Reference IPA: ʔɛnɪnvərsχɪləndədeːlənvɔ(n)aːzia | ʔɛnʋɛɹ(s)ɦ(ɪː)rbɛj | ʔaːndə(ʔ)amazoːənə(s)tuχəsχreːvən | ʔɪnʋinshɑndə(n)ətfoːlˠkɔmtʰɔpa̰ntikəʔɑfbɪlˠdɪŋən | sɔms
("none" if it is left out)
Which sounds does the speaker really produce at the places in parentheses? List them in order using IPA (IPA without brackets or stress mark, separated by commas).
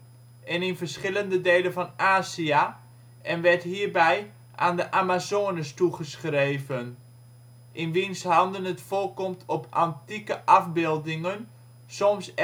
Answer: n, t, iː, ʔ, s, n